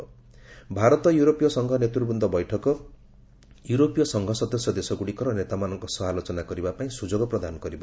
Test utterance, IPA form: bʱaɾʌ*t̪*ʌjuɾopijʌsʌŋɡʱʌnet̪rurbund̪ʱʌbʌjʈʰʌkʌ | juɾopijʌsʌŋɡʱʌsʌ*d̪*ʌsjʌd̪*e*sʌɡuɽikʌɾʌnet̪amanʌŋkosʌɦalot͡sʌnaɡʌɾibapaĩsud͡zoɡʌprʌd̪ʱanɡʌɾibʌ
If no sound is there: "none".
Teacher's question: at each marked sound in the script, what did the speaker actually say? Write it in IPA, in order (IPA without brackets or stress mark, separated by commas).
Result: t̪, d̪, e